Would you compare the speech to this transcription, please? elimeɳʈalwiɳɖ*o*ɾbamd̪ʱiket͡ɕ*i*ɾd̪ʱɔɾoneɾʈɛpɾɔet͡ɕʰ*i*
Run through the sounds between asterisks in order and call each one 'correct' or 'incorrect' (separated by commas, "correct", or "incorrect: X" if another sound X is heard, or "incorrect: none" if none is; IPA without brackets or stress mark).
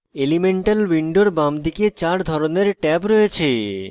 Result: correct, incorrect: a, incorrect: e